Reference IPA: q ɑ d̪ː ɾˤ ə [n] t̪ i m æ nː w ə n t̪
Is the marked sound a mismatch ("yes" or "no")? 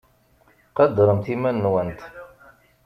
yes